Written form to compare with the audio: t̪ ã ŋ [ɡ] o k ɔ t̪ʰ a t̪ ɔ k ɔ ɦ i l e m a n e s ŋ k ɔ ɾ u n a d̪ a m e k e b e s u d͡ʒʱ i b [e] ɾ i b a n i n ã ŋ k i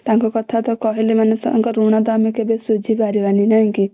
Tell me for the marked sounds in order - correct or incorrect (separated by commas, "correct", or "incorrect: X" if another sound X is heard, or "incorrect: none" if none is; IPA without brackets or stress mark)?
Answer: incorrect: k, incorrect: a